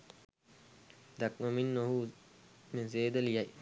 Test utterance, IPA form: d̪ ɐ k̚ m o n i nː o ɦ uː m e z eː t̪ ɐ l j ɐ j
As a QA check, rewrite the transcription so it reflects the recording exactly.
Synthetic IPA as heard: d̪ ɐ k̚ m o m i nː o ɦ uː m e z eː d̪ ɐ l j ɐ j